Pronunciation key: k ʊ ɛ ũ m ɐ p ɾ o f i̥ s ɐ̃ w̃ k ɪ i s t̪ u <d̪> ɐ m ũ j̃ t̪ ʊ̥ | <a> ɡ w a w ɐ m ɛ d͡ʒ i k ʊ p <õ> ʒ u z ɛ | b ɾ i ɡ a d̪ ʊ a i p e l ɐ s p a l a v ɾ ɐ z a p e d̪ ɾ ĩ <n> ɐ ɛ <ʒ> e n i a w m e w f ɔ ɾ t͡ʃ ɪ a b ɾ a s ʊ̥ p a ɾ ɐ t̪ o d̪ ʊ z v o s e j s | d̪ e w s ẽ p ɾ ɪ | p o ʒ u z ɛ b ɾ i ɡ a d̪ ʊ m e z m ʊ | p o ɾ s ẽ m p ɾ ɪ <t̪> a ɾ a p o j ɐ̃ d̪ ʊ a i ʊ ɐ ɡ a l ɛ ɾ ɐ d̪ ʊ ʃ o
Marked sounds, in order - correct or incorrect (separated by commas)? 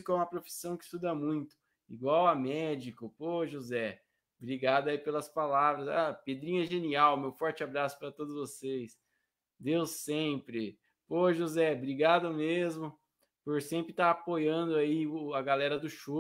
correct, incorrect, incorrect, incorrect, correct, correct